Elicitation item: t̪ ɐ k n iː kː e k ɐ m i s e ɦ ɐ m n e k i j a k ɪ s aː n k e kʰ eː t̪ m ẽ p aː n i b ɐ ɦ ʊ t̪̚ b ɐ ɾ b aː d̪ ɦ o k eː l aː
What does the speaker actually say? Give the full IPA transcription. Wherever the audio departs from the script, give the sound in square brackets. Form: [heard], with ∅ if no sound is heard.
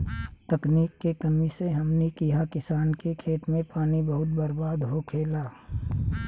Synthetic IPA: t̪ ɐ k n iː kː e k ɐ m i s e ɦ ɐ m n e k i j a k ɪ s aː n k e kʰ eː t̪ m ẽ p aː n i b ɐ ɦ ʊ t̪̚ b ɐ ɾ b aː d̪ ɦ o [kʰ] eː l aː